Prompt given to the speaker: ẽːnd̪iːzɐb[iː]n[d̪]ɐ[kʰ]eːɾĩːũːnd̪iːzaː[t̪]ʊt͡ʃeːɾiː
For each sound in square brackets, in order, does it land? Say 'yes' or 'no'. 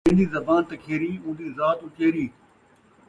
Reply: no, no, yes, yes

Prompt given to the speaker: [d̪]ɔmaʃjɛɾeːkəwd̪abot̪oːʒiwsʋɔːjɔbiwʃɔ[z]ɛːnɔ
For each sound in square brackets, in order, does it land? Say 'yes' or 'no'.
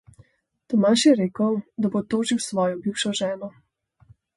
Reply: no, no

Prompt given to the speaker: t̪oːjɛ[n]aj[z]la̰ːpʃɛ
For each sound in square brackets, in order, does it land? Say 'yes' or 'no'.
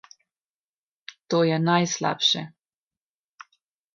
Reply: yes, no

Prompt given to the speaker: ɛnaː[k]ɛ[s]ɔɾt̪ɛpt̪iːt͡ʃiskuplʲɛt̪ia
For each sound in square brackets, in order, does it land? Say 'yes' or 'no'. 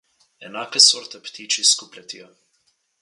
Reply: yes, yes

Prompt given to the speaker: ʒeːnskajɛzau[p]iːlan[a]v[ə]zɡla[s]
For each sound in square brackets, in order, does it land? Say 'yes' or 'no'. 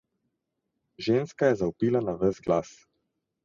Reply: yes, yes, yes, yes

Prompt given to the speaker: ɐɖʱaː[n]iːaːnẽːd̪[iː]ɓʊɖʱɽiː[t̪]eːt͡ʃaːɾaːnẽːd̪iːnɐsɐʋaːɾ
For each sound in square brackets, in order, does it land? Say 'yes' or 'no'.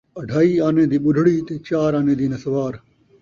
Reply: no, yes, yes

